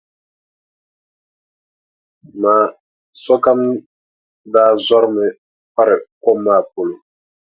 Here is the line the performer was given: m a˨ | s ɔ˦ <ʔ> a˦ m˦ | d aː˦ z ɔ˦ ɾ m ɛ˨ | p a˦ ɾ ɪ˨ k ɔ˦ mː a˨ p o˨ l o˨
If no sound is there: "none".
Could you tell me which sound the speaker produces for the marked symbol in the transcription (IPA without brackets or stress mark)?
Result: k